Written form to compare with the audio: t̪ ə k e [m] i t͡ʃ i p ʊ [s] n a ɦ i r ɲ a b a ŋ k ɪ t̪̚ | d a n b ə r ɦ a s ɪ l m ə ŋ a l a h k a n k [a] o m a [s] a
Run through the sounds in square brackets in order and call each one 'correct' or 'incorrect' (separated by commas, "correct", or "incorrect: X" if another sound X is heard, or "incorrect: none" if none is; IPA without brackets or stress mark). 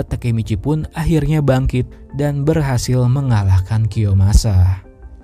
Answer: correct, incorrect: none, incorrect: i, correct